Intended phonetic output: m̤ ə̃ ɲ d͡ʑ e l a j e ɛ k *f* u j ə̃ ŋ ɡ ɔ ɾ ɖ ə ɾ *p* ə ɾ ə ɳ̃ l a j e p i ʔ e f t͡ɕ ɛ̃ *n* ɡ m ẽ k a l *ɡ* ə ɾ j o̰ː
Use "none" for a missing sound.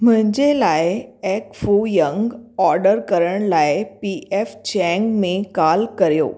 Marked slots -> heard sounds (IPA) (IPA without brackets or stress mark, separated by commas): f, k, ŋ, k